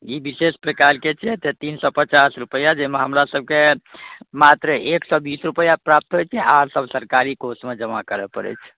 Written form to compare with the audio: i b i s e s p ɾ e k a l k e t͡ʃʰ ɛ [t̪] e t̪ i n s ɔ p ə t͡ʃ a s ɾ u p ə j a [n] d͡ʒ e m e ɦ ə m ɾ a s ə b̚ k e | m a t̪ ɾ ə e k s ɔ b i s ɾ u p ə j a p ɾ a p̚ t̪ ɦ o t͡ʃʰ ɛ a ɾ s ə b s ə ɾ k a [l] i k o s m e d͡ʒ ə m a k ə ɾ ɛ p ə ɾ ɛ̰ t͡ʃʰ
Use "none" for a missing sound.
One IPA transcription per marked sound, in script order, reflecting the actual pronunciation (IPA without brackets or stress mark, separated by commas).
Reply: t̪, none, ɾ